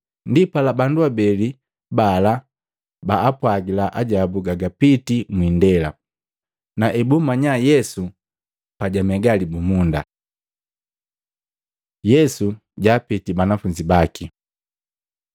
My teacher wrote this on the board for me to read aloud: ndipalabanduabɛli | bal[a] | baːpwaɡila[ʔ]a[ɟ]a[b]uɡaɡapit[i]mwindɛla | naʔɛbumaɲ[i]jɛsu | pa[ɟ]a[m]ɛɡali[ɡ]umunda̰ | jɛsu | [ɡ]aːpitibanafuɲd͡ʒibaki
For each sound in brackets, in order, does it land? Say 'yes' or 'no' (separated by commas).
yes, yes, yes, yes, yes, no, yes, yes, no, no